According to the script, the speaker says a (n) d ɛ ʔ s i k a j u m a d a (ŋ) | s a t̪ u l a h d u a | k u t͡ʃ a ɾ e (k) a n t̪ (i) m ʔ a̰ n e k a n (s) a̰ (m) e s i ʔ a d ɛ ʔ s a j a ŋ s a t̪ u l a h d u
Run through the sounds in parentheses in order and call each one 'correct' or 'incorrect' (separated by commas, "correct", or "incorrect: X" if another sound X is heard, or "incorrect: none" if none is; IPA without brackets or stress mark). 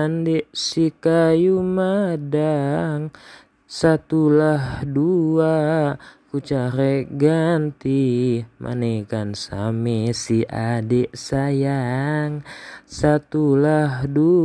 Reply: correct, correct, incorrect: ɡ, correct, correct, correct